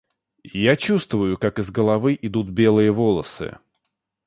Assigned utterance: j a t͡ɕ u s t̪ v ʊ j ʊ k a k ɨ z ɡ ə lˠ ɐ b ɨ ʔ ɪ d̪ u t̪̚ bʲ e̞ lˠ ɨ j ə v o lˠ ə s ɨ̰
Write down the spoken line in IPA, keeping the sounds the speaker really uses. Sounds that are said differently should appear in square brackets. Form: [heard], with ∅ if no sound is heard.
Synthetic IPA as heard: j a t͡ɕ u s t̪ v ʊ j ʊ k a k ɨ z ɡ ə lˠ ɐ [v] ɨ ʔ ɪ d̪ u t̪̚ bʲ e̞ lˠ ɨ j ə v o lˠ ə s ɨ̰